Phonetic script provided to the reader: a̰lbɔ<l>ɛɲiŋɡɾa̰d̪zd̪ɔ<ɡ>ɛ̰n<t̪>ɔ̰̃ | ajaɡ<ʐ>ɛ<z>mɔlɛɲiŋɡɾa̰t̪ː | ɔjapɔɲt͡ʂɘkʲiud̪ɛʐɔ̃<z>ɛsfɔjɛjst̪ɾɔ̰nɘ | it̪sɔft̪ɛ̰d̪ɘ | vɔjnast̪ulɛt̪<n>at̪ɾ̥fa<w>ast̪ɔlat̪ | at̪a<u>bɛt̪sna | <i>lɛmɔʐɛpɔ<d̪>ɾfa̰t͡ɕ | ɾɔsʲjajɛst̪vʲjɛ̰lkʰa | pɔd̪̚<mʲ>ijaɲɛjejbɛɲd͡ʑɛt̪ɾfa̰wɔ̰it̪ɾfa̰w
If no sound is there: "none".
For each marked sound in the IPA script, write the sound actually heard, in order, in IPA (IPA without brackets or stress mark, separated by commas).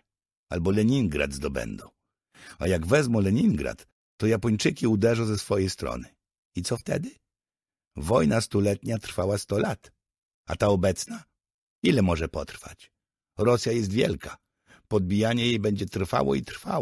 l, b, d̪, v, z, z, ɲ, w, ɔ, i, t̪, bʲ